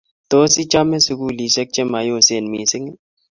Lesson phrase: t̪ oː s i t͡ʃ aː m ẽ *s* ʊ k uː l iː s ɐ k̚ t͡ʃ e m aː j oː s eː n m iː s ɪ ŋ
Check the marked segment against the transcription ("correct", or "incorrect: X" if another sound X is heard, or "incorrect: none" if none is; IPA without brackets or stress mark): correct